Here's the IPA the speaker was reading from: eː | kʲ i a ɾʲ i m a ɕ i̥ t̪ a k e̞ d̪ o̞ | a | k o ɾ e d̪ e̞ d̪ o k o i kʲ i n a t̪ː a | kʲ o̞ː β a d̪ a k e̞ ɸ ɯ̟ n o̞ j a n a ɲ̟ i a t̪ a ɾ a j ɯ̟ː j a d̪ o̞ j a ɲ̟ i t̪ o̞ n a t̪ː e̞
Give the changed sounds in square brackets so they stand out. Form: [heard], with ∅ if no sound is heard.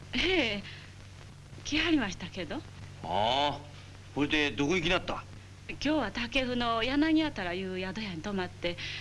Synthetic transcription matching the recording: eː | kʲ i a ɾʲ i m a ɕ i̥ t̪ a k e̞ d̪ o̞ | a | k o ɾ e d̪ e̞ d̪ o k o i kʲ i n a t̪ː a | kʲ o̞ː β a [t̪] a k e̞ ɸ ɯ̟ n o̞ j a n a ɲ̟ i a t̪ a ɾ a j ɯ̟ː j a d̪ o̞ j a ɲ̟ i t̪ o̞ [m] a t̪ː e̞